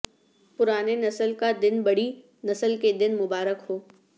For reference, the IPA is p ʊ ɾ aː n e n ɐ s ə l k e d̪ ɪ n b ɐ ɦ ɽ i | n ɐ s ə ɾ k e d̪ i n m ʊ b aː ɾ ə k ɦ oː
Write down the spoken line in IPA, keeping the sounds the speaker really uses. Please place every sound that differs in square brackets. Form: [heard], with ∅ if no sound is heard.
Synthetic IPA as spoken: p ʊ ɾ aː n e n ɐ s ə l k [a] d̪ ɪ n b ɐ [∅] ɽ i | n ɐ s ə [l] k e d̪ [ɪ] n m ʊ b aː ɾ ə k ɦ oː

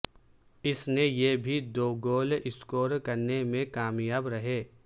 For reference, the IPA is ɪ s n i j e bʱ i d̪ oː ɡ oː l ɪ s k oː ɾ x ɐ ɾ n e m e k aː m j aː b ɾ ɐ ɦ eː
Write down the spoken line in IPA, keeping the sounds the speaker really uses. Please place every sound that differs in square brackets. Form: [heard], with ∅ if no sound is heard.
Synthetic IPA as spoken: ɪ s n [e] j e bʱ i d̪ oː ɡ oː l ɪ s k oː ɾ [k] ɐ ɾ n e m [ẽ] k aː m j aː b ɾ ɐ ɦ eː

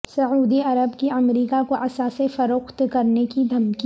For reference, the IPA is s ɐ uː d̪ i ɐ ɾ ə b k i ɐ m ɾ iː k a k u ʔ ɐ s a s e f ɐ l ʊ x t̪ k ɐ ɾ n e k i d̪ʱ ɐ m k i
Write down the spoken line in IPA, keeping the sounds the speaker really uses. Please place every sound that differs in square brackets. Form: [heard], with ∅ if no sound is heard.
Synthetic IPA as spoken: s ɐ uː d̪ i ɐ ɾ ə b k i ɐ m ɾ iː k a k [o] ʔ ɐ s a s e f ɐ [ɾ] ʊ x t̪ k ɐ ɾ n e k i d̪ʱ ɐ m k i

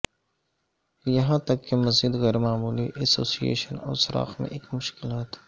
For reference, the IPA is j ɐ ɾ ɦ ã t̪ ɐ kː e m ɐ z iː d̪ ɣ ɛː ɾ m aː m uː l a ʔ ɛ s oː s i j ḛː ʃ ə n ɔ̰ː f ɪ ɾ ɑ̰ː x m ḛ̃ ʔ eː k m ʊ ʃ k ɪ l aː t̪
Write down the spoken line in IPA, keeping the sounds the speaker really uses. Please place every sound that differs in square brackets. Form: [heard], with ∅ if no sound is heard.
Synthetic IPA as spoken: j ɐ [∅] ɦ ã t̪ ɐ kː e m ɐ z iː d̪ ɣ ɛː ɾ m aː m uː l [i] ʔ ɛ s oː s i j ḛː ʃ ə n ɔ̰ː [s] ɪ ɾ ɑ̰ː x m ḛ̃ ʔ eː k m ʊ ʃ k ɪ l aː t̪

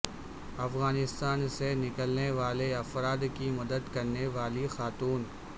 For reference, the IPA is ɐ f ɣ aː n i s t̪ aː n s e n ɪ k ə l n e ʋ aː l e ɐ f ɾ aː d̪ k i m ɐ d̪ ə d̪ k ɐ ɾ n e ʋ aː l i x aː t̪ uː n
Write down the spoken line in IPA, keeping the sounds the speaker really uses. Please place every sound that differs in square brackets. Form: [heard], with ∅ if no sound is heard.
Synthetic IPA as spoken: ɐ f ɣ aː n [ɪ] s t̪ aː n s e n ɪ k ə l n e ʋ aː l e ɐ f ɾ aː d̪ k i m ɐ d̪ ə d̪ k ɐ ɾ n e ʋ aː l i x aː t̪ uː n

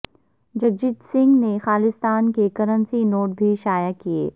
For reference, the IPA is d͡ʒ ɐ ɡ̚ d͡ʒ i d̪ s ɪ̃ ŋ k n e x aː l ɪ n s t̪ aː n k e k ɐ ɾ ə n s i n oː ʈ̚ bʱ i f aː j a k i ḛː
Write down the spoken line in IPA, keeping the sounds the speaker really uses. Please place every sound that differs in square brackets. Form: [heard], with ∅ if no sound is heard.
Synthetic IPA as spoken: d͡ʒ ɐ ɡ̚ d͡ʒ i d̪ s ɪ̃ ŋ [ɡ] n e x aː l ɪ [∅] s t̪ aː n k e k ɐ ɾ ə n s i n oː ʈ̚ bʱ i [ʃ] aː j a k i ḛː

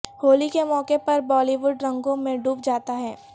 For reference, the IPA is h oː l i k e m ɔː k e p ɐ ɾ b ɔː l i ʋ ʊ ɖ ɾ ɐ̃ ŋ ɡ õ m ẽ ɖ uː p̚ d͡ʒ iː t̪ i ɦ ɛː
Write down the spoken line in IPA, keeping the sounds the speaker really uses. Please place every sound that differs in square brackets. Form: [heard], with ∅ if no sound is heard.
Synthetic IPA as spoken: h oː l i k e m ɔː k e p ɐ ɾ b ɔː l i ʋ ʊ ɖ ɾ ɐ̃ ŋ ɡ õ m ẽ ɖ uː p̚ d͡ʒ [aː] t̪ [a] ɦ ɛː

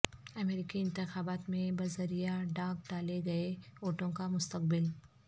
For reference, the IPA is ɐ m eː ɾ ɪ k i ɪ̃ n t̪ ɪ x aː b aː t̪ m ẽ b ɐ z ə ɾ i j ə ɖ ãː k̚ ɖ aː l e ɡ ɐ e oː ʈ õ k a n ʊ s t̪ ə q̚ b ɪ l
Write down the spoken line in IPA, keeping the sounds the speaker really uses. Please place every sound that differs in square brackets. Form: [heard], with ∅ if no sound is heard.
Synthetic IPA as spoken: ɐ m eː ɾ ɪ k i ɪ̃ n t̪ ɪ x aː b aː t̪ m ẽ b ɐ z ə ɾ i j [a] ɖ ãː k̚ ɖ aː l e ɡ ɐ e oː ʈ õ k a [m] ʊ s t̪ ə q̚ b ɪ l

